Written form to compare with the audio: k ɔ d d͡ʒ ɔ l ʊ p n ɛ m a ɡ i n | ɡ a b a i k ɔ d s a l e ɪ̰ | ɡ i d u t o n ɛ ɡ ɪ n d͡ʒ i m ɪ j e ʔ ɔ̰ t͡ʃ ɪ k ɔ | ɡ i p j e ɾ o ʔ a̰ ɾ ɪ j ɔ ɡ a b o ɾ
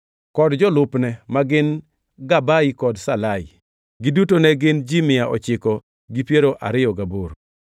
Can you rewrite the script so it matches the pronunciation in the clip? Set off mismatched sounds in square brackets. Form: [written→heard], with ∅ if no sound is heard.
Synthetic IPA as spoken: k ɔ d d͡ʒ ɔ l ʊ p n ɛ m a ɡ [i→ɪ] n | ɡ a b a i k ɔ d s a l [e→a] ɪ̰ | ɡ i d u t o n ɛ ɡ ɪ n d͡ʒ i m ɪ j [e→a] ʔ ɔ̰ t͡ʃ ɪ k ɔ | ɡ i p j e ɾ o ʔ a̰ ɾ ɪ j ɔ ɡ a b o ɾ